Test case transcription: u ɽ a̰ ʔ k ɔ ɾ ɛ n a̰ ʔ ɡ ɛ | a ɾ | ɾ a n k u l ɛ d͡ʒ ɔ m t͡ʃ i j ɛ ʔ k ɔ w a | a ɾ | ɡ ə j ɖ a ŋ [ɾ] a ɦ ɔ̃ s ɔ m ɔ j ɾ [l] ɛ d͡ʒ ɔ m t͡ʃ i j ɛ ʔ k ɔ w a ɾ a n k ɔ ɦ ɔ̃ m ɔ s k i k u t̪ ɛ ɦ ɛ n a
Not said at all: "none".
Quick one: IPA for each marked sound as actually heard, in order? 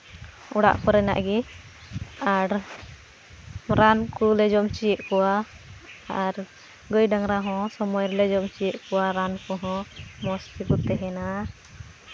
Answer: ɾ, l

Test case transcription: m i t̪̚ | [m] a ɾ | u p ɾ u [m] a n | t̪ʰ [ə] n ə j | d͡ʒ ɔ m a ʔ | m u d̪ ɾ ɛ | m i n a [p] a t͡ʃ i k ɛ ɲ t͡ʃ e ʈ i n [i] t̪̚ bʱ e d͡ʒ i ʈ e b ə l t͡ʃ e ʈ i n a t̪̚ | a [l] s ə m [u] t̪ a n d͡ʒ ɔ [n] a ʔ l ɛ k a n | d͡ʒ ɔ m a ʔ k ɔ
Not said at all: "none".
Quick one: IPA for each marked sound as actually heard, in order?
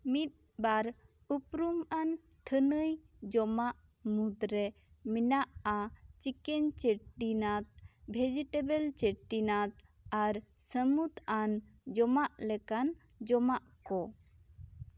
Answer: b, m, ə, ʔ, a, ɾ, u, m

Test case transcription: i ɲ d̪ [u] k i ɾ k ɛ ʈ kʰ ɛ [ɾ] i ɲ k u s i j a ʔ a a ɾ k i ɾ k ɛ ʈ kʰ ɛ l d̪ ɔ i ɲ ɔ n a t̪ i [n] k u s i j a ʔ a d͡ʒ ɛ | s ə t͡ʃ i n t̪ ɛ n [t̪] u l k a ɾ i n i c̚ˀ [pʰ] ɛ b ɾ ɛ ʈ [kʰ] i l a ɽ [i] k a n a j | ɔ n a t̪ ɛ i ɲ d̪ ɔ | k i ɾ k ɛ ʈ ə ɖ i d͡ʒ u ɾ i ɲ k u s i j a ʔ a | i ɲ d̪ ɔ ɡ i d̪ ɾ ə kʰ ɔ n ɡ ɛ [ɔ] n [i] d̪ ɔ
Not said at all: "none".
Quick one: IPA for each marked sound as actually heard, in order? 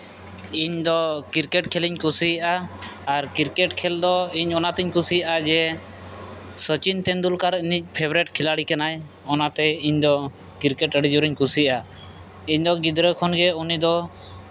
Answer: ɔ, l, ɲ, d̪, pʰ, kʰ, i, u, i

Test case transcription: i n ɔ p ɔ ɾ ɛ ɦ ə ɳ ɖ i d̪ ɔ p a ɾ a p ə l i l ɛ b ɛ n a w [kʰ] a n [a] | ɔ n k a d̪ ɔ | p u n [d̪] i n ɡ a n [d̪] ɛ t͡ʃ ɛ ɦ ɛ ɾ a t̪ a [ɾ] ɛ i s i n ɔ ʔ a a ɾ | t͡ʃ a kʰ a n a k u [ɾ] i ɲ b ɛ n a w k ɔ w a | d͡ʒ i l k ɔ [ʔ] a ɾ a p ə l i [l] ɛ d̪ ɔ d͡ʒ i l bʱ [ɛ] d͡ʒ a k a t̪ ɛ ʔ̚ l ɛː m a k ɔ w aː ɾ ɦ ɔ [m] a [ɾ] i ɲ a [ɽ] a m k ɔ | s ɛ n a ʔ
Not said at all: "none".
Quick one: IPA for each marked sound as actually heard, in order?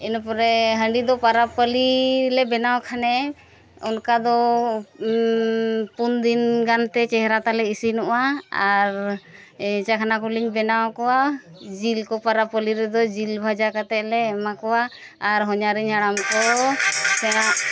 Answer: kʰ, ɛ, d̪, t̪, l, l, p, ɾ, a, ɲ, ɾ, ɽ

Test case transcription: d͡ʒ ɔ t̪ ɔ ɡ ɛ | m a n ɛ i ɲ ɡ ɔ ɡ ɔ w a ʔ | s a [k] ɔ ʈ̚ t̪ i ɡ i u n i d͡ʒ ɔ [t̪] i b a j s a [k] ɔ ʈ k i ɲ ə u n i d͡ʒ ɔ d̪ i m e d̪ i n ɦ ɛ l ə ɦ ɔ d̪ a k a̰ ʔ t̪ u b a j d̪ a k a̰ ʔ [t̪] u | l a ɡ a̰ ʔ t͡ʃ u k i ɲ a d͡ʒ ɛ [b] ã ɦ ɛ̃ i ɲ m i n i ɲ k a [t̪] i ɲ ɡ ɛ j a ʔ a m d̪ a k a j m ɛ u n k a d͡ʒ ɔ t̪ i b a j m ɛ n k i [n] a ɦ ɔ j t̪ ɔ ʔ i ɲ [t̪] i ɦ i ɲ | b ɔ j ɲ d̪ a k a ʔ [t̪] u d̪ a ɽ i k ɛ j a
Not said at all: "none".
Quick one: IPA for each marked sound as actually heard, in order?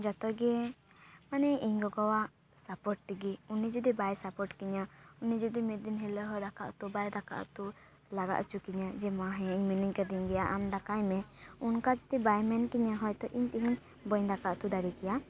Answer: p, d̪, p, t̪, m, d̪, ɲ, t̪, t̪

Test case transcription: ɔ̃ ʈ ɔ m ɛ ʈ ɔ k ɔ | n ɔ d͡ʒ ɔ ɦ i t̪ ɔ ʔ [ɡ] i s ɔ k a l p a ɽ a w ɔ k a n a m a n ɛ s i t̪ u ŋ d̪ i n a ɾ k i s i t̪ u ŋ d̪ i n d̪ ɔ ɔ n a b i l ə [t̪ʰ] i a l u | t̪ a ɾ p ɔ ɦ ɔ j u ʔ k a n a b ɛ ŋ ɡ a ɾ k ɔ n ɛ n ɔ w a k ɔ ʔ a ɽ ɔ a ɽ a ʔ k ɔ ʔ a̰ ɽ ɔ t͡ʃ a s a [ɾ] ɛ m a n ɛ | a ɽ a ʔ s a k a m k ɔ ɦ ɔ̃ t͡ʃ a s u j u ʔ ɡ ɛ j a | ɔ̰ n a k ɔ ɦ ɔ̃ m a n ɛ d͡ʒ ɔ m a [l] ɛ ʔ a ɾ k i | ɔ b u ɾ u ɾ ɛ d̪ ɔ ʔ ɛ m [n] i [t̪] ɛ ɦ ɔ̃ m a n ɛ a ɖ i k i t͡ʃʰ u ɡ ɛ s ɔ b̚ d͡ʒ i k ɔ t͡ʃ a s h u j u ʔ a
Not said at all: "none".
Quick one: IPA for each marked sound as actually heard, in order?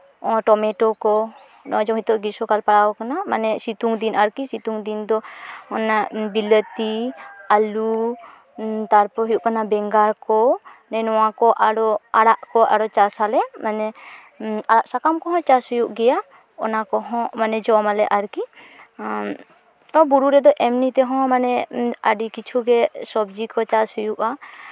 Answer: ɡ, t̪, l, l, n, t̪

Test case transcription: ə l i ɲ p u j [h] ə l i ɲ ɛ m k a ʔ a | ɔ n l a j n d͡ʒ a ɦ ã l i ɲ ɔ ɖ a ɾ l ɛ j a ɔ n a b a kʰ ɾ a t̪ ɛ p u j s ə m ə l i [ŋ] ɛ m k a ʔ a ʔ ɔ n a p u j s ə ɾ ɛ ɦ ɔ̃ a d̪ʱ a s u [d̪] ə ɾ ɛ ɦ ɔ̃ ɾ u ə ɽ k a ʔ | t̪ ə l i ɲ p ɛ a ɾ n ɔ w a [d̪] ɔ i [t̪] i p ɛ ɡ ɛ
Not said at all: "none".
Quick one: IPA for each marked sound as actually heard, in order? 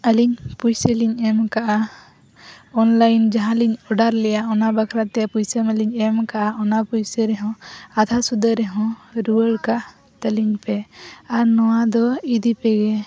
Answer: s, ɲ, d̪, d̪, d̪

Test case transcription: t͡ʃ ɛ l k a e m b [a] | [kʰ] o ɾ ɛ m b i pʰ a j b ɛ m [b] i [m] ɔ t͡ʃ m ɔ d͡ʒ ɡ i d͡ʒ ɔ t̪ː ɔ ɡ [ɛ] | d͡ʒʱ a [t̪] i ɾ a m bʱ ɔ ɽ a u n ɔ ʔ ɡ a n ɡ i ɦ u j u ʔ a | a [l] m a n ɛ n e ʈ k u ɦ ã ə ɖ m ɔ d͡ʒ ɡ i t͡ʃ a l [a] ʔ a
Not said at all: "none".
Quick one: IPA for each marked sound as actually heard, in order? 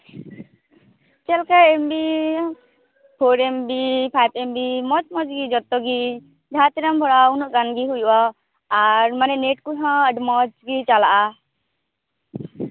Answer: i, pʰ, b, m, i, t̪, ɾ, a

